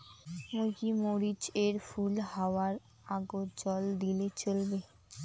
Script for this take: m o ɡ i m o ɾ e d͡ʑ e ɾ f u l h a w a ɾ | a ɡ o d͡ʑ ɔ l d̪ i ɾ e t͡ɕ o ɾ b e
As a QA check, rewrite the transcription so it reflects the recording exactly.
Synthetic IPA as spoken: m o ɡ i m o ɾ i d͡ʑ e ɾ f u l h a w a ɾ | a ɡ o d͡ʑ ɔ l d̪ i l e t͡ɕ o l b e

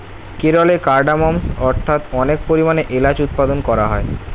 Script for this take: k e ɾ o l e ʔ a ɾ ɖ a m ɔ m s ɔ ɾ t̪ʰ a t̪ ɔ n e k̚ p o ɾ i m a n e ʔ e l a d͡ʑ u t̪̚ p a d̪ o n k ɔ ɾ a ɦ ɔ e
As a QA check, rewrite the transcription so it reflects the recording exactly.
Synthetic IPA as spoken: k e ɾ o l e k a ɾ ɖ a m ɔ m s ɔ ɾ t̪ʰ a t̪ ɔ n e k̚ p o ɾ i m a n e ʔ e l a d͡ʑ u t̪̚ p a d̪ o n k ɔ ɾ a ɦ ɔ e

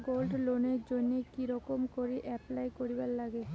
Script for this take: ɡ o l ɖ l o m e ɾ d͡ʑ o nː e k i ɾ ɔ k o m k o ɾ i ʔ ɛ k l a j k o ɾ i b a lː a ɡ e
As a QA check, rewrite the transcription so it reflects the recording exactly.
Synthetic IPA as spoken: ɡ o l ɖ l o n e ɾ d͡ʑ o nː e k i ɾ ɔ k o m k o ɾ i ʔ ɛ p l a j k o ɾ i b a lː a ɡ e

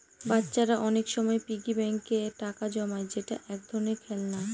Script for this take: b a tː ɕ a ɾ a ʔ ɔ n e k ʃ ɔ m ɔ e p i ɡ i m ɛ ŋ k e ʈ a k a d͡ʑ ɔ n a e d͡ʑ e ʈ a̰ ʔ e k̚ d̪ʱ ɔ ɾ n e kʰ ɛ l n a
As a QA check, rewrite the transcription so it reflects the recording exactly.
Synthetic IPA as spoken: b a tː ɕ a ɾ a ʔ ɔ n e k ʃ ɔ m ɔ e p i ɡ i b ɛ ŋ k e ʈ a k a d͡ʑ ɔ m a e d͡ʑ e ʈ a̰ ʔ ɛ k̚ d̪ʱ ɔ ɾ n e kʰ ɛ l n a

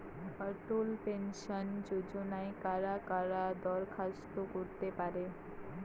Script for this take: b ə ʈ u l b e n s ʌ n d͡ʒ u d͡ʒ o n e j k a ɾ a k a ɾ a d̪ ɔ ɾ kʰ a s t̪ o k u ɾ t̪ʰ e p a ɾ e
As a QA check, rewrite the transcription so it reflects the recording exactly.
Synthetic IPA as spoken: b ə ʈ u l p e n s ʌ n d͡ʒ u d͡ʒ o n a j k a ɾ a k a ɾ a d̪ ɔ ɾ kʰ a s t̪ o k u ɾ t̪ e p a ɾ e

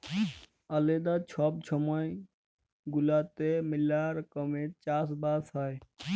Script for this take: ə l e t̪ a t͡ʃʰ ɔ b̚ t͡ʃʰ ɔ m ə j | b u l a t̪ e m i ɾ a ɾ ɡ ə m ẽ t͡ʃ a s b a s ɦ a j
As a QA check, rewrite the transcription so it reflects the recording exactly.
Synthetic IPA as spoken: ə l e d̪ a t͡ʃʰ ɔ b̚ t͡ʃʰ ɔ m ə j | ɡ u l a t̪ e m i l a ɾ k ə m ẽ t͡ʃ a s b a s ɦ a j

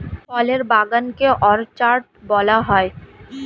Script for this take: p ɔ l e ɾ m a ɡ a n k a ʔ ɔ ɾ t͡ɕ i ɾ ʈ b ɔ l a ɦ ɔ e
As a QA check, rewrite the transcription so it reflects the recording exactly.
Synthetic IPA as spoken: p ɔ l e ɾ b a ɡ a n k e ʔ ɔ ɾ t͡ɕ a ɾ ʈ b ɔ l a ɦ ɔ e

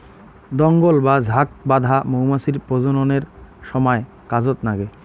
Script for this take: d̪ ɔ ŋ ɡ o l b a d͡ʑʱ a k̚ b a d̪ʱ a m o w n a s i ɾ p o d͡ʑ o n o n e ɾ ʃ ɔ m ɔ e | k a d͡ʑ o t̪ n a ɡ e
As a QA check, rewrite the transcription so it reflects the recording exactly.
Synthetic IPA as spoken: d̪ ɔ ŋ ɡ o l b a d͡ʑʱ a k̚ b a d̪ʱ a m o w m a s i ɾ p o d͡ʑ o n o n e ɾ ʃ ɔ m ɔ e | k a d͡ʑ o t̪ n a ɡ e

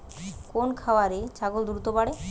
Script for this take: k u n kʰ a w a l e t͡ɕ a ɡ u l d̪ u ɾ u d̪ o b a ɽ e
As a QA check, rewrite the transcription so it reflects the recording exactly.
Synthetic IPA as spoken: k o n kʰ a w a ɾ e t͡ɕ a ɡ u l d̪ u ɾ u t̪ o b a ɽ e

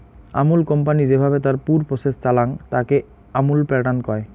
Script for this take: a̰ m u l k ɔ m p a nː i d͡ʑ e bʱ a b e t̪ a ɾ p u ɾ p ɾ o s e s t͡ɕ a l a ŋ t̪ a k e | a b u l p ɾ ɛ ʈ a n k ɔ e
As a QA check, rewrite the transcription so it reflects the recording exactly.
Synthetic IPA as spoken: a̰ m u l k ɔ m p a n i d͡ʑ e bʱ a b e t̪ a ɾ p u ɾ p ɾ o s e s t͡ɕ a l a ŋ t̪ a k e | a m u l p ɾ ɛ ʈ a n k ɔ e

